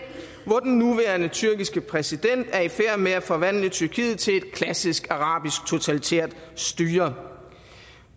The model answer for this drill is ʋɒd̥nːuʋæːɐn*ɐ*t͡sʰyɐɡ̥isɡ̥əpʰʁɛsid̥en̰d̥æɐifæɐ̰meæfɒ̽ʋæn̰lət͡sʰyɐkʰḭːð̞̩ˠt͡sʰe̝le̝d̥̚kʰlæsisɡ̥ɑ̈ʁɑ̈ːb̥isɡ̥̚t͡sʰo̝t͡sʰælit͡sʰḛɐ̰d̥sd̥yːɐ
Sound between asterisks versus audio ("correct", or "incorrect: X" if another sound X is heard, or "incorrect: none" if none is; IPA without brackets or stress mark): incorrect: ə